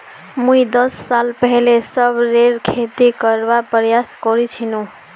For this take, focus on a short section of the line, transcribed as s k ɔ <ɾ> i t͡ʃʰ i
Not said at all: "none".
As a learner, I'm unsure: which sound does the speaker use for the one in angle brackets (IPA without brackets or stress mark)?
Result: ɾ